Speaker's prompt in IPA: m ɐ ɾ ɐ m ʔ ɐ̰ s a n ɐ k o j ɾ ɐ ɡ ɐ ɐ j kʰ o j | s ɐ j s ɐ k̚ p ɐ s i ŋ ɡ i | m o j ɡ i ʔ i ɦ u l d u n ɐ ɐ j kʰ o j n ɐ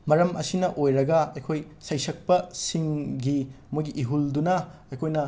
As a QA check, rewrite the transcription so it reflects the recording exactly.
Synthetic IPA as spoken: m ɐ ɾ ɐ m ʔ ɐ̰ s i n ɐ ʔ o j ɾ ɐ ɡ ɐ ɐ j kʰ o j | s ɐ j s ɐ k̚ p ɐ s i ŋ ɡ i | m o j ɡ i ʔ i ɦ u l d u n ɐ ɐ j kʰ o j n ɐ